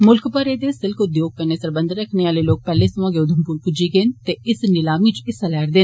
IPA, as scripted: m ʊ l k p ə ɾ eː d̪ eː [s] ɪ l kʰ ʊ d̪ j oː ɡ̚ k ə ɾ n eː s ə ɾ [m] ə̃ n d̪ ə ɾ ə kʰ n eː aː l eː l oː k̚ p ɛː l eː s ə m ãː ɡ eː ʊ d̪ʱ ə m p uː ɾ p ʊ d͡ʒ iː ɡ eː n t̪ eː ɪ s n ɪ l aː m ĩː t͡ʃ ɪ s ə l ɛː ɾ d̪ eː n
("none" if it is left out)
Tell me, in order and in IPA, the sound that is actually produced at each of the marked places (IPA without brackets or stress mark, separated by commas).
s, b